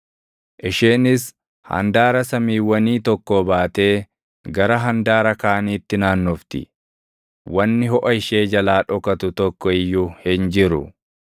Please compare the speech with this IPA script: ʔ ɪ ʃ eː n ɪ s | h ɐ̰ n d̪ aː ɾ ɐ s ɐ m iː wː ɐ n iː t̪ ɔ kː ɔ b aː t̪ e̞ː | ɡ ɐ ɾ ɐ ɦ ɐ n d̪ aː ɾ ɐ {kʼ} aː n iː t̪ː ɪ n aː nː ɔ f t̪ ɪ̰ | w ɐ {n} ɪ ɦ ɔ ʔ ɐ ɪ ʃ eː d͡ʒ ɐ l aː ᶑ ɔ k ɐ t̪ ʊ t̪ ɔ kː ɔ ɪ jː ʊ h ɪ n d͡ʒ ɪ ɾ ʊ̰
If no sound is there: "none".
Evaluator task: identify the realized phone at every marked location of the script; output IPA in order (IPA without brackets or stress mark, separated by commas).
k, nː